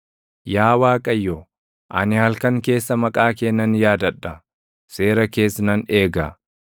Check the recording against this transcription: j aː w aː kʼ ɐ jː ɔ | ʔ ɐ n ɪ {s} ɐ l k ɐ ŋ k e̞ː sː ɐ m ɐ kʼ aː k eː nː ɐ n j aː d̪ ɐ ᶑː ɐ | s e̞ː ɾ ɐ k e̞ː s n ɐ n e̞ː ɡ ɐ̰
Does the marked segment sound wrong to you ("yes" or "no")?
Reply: yes